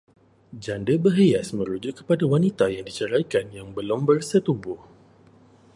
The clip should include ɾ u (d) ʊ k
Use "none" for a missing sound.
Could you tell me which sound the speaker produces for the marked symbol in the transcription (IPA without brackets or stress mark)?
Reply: d͡ʒ